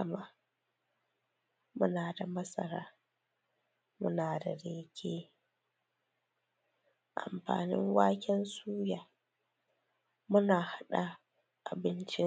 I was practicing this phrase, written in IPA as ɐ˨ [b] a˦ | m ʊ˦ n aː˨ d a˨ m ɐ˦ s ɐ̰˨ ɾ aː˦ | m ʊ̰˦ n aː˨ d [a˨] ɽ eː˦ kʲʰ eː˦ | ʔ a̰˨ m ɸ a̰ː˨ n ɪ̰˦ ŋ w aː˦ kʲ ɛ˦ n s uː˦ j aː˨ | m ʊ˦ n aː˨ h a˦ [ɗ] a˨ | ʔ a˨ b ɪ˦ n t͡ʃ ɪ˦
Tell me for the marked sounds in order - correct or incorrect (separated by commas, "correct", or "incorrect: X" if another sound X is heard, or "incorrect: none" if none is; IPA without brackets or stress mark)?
incorrect: m, correct, correct